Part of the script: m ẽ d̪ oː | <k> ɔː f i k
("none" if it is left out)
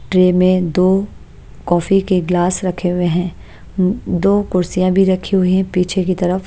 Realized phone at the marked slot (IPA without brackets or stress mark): k